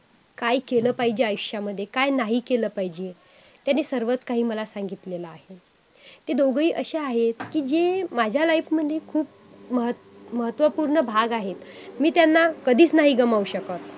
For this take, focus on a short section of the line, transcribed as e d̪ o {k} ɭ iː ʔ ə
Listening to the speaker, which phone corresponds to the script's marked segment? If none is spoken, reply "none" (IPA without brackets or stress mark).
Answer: ɡ